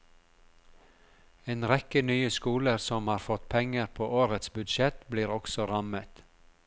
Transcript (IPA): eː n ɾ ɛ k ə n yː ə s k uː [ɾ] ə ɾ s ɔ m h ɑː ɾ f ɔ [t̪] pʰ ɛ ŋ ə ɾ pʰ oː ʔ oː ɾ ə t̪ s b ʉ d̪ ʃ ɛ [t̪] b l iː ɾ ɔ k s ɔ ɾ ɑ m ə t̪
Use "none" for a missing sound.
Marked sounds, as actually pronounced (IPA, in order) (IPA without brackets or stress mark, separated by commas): l, t̪, t̪